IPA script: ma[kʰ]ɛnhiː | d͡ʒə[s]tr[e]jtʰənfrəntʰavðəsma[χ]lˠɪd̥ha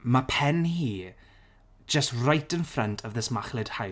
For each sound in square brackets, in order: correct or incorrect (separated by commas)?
incorrect, correct, incorrect, correct